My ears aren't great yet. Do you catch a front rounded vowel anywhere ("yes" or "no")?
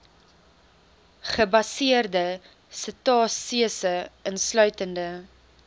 yes